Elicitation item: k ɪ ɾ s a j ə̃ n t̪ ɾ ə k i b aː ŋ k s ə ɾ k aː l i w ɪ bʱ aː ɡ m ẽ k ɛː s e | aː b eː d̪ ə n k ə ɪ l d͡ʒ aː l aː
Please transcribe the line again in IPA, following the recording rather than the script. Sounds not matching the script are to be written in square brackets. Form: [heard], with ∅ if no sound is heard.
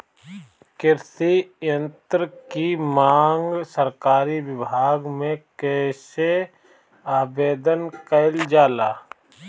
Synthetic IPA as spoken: k ɪ ɾ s [i] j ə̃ n t̪ ɾ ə k i [m] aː ŋ [ɡ] s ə ɾ k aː [ɾ] i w ɪ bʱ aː ɡ m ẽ k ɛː s e | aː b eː d̪ ə n k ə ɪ l d͡ʒ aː l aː